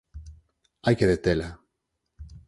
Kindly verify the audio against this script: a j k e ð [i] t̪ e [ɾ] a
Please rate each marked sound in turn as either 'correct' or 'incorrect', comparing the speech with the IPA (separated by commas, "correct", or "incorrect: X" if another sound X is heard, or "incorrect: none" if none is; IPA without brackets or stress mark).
incorrect: e, incorrect: l